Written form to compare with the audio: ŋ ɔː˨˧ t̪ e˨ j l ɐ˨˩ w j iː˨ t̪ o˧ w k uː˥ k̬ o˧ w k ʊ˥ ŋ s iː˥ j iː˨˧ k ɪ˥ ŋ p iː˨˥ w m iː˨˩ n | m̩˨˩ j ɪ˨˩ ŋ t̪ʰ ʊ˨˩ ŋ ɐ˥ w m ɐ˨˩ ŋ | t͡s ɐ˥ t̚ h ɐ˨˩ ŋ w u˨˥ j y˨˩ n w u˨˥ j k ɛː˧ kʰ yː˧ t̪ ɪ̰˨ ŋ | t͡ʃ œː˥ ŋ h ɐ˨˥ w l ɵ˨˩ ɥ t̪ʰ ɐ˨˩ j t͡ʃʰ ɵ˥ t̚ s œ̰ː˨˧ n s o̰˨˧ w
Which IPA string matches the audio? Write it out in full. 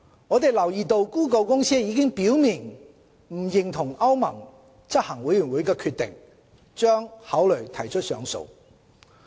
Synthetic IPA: ŋ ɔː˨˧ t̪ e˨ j l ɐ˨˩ w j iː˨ t̪ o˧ w k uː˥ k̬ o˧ w k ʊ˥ ŋ s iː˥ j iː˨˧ k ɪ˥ ŋ p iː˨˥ w m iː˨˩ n | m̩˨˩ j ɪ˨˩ ŋ t̪ʰ ʊ˨˩ ŋ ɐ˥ w m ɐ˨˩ ŋ | t͡s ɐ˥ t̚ h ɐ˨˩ ŋ w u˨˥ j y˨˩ n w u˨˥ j k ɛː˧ kʰ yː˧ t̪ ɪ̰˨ ŋ | t͡ʃ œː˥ ŋ h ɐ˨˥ w l ɵ˨˩ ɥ t̪ʰ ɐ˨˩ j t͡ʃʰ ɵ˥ t̚ s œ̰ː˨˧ ŋ s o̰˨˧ w

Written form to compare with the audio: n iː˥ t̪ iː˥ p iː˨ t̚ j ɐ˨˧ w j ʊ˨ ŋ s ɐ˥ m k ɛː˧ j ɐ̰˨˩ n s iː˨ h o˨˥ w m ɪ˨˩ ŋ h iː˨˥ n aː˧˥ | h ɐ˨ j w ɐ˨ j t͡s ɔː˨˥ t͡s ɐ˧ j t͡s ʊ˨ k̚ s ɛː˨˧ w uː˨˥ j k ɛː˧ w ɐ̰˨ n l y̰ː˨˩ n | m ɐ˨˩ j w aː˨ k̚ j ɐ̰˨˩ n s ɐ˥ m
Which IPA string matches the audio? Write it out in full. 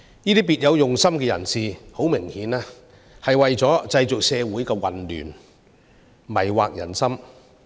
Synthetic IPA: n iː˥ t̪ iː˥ p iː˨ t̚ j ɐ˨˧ w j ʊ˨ ŋ s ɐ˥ m k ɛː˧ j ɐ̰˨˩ n s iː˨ h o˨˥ w m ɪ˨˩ ŋ h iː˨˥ n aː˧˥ | h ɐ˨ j w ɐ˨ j t͡s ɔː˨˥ t͡s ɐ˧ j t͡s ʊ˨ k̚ s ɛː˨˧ w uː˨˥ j k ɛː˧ w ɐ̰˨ n l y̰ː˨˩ n | m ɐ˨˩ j w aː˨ k̚ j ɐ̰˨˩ n s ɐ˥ m

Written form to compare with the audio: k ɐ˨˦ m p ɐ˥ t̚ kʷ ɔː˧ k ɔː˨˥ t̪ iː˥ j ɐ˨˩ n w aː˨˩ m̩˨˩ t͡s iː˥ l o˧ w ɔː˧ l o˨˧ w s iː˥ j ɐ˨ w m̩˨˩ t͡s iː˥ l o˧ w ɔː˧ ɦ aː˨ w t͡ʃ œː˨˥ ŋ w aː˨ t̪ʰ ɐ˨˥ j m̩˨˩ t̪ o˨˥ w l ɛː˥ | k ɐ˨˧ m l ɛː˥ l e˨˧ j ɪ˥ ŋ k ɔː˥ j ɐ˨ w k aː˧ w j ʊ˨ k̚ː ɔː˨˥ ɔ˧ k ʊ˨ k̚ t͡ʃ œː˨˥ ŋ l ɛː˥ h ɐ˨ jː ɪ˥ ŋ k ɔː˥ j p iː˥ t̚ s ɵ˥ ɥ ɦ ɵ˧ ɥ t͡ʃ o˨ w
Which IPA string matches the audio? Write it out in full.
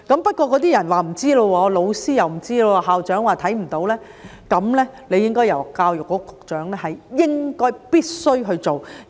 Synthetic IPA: k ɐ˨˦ m p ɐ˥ t̚ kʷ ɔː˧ k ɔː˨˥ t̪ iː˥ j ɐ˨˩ n w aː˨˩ m̩˨˩ t͡s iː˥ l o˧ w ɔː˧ l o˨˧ w s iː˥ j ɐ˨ w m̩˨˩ t͡s iː˥ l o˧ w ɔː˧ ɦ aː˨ w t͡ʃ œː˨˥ ŋ w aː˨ t̪ʰ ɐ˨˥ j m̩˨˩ t̪ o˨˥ w l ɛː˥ | k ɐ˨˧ m l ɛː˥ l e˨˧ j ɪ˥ ŋ k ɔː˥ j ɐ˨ w k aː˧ w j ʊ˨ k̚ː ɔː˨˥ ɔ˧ k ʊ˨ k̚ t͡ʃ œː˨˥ ŋ l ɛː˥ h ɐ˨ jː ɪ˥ ŋ k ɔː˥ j p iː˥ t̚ s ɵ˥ ɥ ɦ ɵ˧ ɥ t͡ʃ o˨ w

